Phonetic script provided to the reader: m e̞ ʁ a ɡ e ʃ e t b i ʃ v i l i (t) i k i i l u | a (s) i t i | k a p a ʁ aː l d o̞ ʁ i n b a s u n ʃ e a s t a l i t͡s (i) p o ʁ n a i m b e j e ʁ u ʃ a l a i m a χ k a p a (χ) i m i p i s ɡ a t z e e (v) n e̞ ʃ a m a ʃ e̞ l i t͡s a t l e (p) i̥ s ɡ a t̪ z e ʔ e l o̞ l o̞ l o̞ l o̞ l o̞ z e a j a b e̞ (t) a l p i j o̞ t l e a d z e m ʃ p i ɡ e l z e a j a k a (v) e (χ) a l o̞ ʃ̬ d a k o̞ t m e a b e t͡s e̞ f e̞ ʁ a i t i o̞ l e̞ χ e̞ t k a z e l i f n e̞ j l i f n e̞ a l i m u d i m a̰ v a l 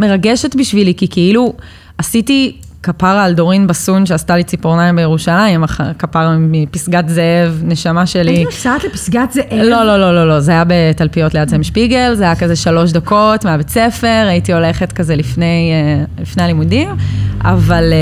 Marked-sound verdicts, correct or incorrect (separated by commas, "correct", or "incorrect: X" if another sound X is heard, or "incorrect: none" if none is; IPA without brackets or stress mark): incorrect: k, correct, correct, incorrect: ʁ, correct, correct, correct, incorrect: z, incorrect: ʃ